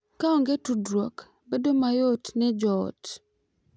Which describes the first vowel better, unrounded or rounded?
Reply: unrounded